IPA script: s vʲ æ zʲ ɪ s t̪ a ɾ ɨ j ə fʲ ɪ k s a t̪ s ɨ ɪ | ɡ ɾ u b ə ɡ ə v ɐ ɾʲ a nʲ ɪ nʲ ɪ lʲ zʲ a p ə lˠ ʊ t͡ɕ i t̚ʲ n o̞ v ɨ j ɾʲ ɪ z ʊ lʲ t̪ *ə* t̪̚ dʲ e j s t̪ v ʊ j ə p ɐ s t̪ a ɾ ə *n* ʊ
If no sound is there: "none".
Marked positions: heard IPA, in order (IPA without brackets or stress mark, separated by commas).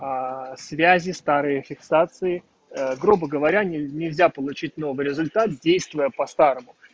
a, m